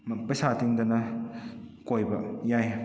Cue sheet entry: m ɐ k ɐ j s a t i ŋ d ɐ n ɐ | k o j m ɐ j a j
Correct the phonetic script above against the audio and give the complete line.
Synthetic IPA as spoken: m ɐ p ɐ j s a t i ŋ d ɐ n ɐ | k o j b ɐ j a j